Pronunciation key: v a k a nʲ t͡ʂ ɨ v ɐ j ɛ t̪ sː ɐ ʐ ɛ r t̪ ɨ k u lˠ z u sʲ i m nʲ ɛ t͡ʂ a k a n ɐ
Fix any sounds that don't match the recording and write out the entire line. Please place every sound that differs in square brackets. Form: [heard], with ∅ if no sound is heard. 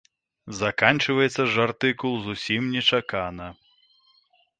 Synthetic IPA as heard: [z] a k a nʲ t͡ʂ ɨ v ɐ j ɛ t̪ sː ɐ ʐ [a] r t̪ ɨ k u lˠ z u sʲ i m nʲ ɛ t͡ʂ a k a n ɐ